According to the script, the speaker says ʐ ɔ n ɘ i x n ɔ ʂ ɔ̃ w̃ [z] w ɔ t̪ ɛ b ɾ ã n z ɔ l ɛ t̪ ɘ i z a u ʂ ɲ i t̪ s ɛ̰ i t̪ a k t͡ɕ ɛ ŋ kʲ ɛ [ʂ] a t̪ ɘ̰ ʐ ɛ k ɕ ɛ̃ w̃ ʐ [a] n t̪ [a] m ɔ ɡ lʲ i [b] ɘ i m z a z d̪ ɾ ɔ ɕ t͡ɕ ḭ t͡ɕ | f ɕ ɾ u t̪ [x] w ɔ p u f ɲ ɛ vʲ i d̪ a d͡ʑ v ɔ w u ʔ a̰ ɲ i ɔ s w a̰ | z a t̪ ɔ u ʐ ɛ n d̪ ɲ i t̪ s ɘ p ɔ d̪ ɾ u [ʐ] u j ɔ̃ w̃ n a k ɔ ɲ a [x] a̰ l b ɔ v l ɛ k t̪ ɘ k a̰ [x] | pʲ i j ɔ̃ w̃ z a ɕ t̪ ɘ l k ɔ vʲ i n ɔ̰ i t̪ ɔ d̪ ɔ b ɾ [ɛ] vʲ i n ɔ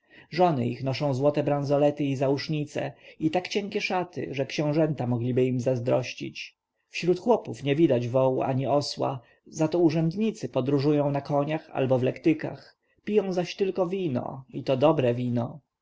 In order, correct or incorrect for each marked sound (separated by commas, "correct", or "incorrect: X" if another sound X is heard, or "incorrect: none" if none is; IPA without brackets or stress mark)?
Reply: correct, correct, incorrect: ɛ, correct, correct, correct, correct, correct, correct, correct